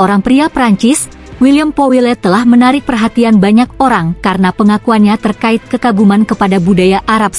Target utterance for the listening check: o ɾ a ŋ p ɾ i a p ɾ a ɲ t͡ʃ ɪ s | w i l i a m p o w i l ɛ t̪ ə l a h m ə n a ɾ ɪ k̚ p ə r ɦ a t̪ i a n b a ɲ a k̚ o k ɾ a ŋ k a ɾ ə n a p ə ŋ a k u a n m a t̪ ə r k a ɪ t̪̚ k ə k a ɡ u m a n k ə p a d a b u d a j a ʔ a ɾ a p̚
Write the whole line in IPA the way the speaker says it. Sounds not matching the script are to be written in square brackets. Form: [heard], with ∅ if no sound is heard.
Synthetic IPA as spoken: o ɾ a ŋ p ɾ i a p ɾ a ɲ t͡ʃ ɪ s | w i l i a m p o w i l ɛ t̪ ə l a h m ə n a ɾ ɪ k̚ p ə r ɦ a t̪ i a n b a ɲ a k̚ o [∅] ɾ a ŋ k a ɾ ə n a p ə ŋ a k u a n [ɲ] a t̪ ə r k a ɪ t̪̚ k ə k a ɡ u m a n k ə p a d a b u d a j a ʔ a ɾ a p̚

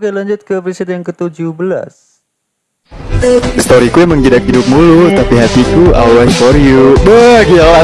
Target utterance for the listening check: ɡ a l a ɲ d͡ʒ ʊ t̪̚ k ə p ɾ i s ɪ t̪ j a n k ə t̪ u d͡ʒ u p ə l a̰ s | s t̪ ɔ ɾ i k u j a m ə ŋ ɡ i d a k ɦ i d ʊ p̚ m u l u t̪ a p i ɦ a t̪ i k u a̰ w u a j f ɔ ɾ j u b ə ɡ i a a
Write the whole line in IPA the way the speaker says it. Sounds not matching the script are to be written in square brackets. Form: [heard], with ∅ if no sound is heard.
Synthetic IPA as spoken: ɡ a l a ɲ d͡ʒ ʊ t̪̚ k ə p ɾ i s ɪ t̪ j a [ŋ] k ə t̪ u d͡ʒ u [b] ə l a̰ s | s t̪ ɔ ɾ i k u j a m ə ŋ ɡ i d a k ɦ i d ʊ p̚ m u l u t̪ a p i ɦ a t̪ i k u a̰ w [w] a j f ɔ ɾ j u b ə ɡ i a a

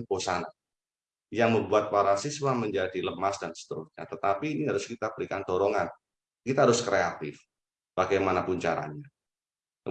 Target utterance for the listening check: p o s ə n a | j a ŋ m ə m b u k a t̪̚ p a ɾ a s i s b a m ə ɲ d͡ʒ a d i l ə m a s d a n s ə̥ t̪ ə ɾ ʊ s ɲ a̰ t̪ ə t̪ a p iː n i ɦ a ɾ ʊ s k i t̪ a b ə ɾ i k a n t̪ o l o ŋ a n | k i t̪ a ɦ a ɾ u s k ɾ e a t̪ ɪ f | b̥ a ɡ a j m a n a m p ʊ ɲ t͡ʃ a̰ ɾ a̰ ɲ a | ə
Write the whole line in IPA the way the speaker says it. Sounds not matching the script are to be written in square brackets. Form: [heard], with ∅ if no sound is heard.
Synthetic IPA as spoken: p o s [a] n a | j a ŋ m ə m b u [∅] a t̪̚ p a ɾ a s i s [w] a m ə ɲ d͡ʒ a d i l ə m a s d a n s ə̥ t̪ ə ɾ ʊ s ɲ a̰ t̪ ə t̪ a p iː n i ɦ a ɾ ʊ s k i t̪ a b ə ɾ i k a n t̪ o [ɾ] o ŋ a n | k i t̪ a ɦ a ɾ [ʊ] s k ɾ e a t̪ ɪ f | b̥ a ɡ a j m a n a [∅] p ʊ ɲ t͡ʃ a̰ ɾ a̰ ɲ a | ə

